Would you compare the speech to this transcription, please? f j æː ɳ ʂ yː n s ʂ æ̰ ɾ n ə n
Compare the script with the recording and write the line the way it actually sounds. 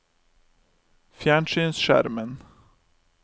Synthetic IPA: f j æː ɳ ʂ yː n s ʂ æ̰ ɾ m ə n